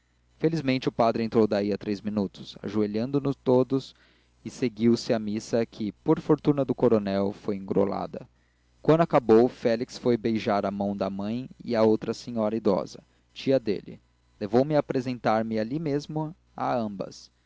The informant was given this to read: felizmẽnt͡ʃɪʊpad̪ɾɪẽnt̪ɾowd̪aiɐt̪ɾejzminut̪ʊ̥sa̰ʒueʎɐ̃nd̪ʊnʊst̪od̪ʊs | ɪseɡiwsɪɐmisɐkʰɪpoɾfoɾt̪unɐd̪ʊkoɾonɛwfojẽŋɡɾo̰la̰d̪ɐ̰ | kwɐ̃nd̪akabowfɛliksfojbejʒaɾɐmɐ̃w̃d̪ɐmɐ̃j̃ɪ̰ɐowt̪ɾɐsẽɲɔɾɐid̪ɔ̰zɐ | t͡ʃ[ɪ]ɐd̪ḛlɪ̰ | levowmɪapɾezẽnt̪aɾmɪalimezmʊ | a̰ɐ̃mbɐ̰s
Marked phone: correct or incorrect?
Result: incorrect